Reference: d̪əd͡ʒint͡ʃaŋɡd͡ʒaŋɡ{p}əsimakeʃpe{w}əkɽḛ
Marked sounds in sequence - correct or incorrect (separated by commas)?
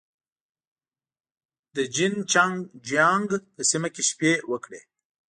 correct, correct